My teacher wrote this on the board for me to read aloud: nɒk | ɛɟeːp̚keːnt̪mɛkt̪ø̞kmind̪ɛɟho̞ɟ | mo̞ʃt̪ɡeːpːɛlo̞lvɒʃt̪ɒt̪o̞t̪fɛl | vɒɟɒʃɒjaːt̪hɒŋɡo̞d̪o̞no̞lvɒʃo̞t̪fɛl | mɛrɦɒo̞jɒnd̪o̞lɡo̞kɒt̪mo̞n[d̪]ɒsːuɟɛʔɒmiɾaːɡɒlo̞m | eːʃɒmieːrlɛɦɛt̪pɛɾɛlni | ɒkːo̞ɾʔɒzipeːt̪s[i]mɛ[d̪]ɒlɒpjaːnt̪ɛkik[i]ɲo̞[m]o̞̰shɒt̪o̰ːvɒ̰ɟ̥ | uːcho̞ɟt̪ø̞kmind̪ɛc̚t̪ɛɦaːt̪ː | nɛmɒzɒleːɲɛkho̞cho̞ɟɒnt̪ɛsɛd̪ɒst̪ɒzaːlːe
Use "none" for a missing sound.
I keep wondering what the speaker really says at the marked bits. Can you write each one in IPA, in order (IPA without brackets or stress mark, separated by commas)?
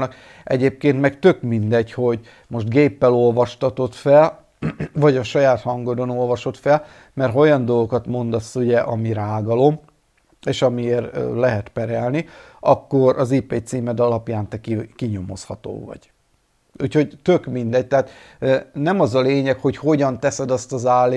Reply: d̪, iː, d̪, i, m